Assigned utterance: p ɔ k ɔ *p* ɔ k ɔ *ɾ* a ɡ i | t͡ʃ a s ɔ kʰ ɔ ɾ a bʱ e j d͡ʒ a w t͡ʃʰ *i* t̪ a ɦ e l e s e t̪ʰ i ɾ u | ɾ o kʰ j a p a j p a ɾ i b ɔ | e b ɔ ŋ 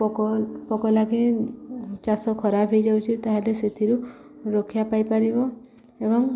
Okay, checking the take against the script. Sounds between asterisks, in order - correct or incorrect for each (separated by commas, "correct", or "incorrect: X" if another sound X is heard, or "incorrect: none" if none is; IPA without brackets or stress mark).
correct, incorrect: l, correct